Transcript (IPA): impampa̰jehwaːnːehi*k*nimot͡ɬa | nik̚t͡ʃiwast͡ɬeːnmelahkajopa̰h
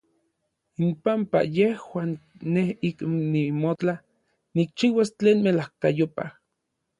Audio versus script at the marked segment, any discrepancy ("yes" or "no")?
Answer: no